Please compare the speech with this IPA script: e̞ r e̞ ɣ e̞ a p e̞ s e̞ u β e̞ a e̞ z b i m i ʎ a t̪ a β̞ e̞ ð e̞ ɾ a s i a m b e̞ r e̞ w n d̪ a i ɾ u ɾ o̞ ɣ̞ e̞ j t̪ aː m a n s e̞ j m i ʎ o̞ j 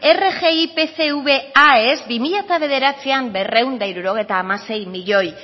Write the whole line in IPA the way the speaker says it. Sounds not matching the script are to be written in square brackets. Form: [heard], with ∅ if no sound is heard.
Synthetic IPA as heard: e̞ r e̞ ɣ e̞ [i] p e̞ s e̞ u β e̞ a e̞ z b i m i ʎ a t̪ a β̞ e̞ ð e̞ ɾ a [t͡s] i a m b e̞ r e̞ w n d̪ a i ɾ u ɾ o̞ ɣ̞ e̞ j t̪ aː m a [∅] s e̞ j m i ʎ o̞ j